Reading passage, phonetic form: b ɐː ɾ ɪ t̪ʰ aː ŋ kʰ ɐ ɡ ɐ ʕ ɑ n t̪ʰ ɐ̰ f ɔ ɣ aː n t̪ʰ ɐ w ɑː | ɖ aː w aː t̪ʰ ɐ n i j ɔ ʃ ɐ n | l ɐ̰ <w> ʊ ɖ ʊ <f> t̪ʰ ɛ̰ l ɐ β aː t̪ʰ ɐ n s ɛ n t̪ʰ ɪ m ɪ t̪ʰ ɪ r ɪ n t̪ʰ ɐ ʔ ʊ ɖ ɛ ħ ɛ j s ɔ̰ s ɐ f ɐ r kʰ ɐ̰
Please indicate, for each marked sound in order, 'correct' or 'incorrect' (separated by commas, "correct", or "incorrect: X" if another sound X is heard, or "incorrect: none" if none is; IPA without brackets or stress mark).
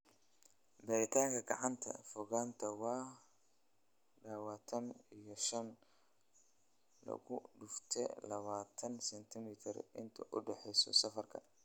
incorrect: ɣ, correct